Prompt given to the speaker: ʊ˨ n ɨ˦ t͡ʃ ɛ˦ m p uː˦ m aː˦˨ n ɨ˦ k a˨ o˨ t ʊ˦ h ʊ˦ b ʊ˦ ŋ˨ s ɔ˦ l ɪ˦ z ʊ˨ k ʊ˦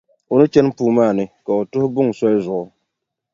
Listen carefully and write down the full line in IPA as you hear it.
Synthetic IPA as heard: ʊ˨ n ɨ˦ t͡ʃ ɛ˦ n p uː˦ m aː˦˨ n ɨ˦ k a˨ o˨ t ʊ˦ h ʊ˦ b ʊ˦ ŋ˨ s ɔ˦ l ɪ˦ z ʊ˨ ʔ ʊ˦